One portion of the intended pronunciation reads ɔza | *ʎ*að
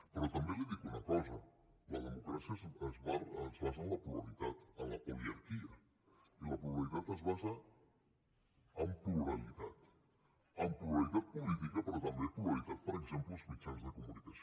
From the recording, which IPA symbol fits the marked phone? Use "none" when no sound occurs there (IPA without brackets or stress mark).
l